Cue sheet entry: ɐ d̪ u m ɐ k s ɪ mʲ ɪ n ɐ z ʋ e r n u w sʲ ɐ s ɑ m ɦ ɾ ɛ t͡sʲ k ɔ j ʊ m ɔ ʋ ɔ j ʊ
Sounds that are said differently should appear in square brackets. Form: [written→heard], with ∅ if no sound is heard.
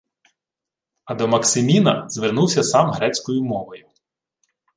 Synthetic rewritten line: ɐ d̪ [u→ɔ] m ɐ k s ɪ mʲ [ɪ→i] n ɐ z ʋ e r n u w sʲ ɐ s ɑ m ɦ ɾ ɛ t͡sʲ k ɔ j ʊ m ɔ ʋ ɔ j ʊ